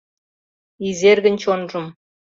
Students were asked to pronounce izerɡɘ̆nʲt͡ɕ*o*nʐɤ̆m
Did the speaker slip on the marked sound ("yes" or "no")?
no